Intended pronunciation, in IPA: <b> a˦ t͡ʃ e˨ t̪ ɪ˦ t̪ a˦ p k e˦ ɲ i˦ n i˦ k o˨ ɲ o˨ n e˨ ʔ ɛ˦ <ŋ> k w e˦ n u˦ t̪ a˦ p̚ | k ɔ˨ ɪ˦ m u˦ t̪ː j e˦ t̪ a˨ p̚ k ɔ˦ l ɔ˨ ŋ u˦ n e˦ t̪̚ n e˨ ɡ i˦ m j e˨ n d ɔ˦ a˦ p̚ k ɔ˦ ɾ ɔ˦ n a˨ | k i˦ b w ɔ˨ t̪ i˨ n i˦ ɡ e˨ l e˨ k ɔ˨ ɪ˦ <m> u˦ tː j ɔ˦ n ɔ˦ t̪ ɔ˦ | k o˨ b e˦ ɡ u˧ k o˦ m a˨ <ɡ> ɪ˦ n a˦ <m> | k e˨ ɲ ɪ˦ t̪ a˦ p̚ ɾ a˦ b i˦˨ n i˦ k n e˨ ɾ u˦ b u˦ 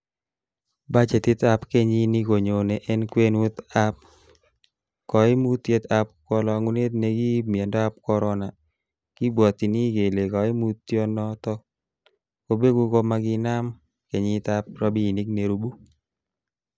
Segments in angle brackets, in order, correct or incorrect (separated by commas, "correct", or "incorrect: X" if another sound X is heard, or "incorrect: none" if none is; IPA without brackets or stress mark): correct, incorrect: n, correct, correct, correct